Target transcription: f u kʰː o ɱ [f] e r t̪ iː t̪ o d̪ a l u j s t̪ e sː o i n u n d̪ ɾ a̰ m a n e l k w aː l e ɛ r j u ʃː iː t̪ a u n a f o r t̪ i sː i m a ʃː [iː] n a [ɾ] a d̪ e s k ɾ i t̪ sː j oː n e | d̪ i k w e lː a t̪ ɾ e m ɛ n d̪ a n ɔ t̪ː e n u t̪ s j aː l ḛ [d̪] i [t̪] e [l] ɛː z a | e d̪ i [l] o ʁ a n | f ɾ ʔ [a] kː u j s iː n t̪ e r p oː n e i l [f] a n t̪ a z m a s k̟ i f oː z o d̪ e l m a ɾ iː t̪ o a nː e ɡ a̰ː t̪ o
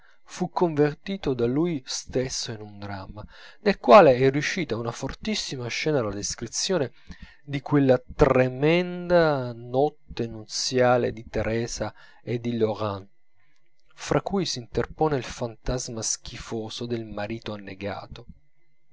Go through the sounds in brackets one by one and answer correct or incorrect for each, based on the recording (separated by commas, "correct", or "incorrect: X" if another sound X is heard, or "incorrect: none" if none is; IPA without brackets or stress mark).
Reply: incorrect: v, incorrect: ɛː, incorrect: l, correct, correct, incorrect: ɾ, correct, correct, correct